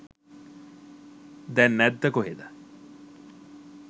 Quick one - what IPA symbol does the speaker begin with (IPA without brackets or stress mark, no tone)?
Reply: d̪